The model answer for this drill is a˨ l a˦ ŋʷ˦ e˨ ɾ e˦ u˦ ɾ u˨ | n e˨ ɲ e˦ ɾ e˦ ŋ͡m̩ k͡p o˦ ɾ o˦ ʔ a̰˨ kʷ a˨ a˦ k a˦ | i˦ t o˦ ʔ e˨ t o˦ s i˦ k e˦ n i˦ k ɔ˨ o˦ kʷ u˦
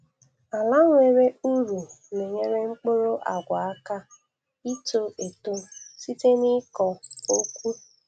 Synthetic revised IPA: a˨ l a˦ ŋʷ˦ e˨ ɾ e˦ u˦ ɾ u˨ | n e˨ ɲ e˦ ɾ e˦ ŋ͡m̩ k͡p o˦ ɾ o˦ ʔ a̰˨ ɡʷ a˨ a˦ k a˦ | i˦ t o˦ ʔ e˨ t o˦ s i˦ t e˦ n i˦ k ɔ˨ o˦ kʷ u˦

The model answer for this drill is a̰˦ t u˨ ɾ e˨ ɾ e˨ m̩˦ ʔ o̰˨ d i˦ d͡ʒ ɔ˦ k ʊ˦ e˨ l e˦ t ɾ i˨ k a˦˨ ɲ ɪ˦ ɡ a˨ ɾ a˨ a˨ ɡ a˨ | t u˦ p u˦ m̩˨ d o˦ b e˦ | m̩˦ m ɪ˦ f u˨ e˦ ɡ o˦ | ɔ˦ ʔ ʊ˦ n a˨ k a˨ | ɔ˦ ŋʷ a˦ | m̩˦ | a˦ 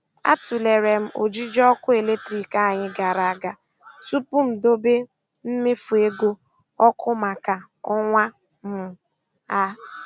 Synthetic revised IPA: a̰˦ t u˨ l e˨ ɾ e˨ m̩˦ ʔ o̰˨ d͡ʒ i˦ d͡ʒ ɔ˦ k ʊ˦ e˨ l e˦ t ɾ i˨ k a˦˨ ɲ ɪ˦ ɡ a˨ ɾ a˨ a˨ ɡ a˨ | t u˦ p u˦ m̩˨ d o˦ b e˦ | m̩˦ m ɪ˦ f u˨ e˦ ɡ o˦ | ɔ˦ k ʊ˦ m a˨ k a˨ | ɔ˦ ŋʷ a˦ | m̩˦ | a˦

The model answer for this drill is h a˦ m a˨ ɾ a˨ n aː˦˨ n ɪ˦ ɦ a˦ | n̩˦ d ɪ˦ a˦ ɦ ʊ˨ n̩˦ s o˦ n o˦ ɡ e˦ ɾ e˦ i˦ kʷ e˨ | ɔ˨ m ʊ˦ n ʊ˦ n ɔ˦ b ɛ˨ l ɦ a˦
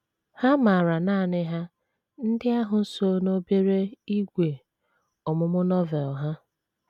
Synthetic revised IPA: h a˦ m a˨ ɾ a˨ n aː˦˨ n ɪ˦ ɦ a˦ | n̩˦ d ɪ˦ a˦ ɦ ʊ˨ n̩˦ s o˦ n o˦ b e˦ ɾ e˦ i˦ ɡʷ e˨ | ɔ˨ m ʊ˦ m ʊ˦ n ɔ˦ v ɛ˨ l ɦ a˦

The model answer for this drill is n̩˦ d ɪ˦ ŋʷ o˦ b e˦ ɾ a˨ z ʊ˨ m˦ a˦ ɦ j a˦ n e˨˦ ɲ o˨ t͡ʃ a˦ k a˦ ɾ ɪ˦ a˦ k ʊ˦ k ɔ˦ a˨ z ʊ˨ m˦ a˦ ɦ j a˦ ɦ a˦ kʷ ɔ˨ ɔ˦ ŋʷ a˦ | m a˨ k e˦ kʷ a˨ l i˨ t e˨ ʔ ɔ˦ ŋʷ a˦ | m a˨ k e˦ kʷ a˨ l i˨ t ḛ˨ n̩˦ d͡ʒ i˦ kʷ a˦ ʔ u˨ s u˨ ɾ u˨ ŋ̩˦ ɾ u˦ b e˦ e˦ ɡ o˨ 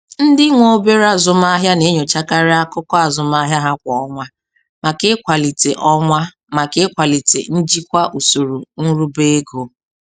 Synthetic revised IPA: n̩˦ d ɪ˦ ŋʷ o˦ b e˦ ɾ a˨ z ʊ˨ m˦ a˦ ɦ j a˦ n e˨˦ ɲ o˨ t͡ʃ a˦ k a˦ ɾ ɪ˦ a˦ k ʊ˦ k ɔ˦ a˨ z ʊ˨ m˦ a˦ ɦ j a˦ ɦ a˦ kʷ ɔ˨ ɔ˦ ŋʷ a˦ | m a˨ k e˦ kʷ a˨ l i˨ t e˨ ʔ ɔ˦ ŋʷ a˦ | m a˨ k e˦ kʷ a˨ l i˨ t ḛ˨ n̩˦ d͡ʒ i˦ kʷ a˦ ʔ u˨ s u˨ ɾ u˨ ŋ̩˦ ɾ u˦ b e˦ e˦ ɡ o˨

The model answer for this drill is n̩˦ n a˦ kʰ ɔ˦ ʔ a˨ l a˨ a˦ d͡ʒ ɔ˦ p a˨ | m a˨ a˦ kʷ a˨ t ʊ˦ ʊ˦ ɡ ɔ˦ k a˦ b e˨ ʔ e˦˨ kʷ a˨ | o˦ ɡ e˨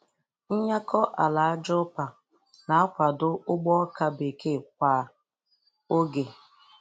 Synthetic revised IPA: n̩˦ ɲ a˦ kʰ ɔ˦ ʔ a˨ l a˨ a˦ d͡ʒ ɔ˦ p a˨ | n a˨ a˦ kʷ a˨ d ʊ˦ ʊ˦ ɡ͡b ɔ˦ k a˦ b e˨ k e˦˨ kʷ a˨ | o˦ ɡ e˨

